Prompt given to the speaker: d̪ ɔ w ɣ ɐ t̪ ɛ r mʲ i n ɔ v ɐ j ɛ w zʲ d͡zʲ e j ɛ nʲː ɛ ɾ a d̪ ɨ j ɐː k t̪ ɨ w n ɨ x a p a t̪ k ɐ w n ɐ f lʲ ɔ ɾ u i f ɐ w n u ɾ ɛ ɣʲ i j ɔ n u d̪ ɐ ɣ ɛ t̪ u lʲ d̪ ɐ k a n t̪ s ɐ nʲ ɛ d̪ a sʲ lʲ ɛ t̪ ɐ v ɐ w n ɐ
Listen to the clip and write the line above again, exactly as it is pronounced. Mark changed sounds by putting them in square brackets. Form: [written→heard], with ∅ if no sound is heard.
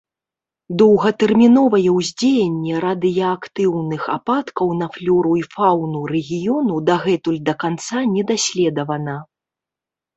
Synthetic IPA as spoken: d̪ ɔ w ɣ ɐ t̪ ɛ r mʲ i n ɔ v ɐ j ɛ w zʲ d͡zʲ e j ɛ nʲː ɛ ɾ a d̪ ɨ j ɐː k t̪ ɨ w n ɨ x a p a t̪ k ɐ w n ɐ f lʲ ɔ ɾ u i f [ɐ→a] w n u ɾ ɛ ɣʲ i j ɔ n u d̪ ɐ ɣ ɛ t̪ u lʲ d̪ ɐ k a n t̪ s [ɐ→a] nʲ ɛ d̪ a sʲ lʲ ɛ [t̪→d̪] ɐ v ɐ [w→∅] n ɐ